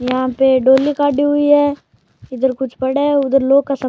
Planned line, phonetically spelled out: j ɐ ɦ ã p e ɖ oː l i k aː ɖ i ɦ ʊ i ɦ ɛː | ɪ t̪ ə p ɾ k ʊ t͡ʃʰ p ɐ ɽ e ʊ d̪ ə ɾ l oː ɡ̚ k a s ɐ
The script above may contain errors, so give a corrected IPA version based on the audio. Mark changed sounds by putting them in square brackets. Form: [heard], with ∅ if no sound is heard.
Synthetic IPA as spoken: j ɐ ɦ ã p e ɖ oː l i k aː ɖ i ɦ ʊ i ɦ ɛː | ɪ [d̪] ə [∅] ɾ k ʊ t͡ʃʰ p ɐ ɽ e ʊ d̪ ə ɾ l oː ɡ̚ k a s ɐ